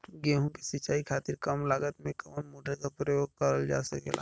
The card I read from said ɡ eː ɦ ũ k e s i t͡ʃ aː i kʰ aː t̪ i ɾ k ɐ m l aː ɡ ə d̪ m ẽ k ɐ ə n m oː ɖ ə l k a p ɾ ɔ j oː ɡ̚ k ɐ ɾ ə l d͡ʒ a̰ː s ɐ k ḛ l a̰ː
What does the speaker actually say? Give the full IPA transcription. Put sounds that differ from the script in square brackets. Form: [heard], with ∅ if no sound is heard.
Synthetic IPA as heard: ɡ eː ɦ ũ k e s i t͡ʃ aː i kʰ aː t̪ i ɾ k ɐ m l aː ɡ ə [t̪] m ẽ k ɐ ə n m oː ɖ ə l k a p ɾ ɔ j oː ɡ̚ k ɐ ɾ ə l d͡ʒ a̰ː s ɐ k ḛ l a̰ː